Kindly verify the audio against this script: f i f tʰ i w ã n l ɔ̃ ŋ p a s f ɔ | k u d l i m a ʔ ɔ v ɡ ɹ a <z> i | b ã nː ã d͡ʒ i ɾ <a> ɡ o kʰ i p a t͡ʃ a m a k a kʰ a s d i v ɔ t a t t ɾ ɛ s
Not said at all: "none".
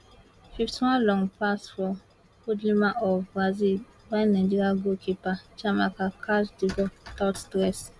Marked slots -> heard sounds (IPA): z, a

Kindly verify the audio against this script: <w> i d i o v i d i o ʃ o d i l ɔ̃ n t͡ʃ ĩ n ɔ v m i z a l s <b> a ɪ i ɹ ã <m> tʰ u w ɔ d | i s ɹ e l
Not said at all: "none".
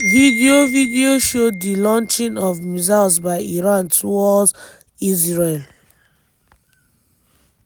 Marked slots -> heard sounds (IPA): v, b, n

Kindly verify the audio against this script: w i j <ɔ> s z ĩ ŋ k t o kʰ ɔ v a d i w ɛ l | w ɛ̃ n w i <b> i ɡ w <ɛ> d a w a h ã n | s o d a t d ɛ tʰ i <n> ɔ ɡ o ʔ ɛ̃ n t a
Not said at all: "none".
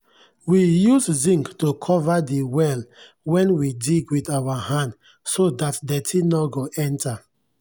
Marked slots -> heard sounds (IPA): u, d, i, n

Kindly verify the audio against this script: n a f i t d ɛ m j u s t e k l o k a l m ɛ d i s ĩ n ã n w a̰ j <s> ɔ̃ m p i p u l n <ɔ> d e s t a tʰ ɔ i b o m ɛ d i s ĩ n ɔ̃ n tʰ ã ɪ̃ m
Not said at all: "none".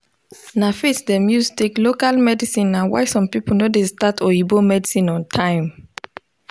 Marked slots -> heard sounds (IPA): s, o

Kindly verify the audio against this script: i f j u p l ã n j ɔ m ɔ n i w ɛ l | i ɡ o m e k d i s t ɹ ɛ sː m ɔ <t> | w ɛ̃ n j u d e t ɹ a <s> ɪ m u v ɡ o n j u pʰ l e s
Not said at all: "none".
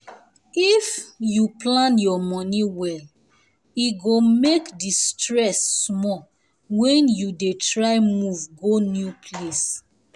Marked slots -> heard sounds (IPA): none, none

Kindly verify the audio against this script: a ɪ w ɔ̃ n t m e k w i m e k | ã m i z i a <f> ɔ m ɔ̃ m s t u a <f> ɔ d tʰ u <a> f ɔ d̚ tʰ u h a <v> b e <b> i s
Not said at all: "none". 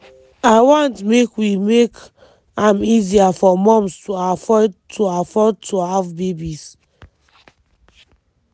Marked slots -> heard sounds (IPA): f, f, a, v, b

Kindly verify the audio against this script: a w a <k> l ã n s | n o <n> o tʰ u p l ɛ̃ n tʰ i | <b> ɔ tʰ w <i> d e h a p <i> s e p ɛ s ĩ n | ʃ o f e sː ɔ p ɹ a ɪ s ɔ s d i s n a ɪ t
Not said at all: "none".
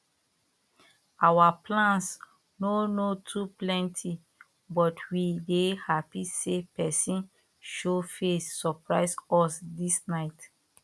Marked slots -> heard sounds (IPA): p, n, b, i, i

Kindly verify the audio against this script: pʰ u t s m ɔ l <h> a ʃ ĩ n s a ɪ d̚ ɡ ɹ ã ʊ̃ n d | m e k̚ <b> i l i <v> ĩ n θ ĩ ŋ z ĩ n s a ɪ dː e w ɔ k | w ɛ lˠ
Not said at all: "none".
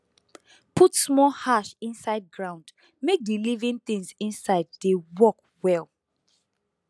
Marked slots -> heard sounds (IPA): h, d, v

